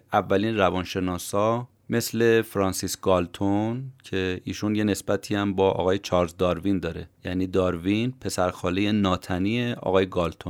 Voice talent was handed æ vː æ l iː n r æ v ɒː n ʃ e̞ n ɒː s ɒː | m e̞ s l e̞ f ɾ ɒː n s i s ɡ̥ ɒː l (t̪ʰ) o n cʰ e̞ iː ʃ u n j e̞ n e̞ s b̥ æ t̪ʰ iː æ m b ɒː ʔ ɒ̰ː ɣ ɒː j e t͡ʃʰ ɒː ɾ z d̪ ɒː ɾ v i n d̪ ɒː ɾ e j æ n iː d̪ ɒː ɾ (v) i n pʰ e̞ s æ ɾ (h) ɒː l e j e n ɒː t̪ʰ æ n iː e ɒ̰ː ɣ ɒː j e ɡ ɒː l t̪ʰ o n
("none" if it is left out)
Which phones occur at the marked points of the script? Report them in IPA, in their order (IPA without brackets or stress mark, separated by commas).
t̪ʰ, v, x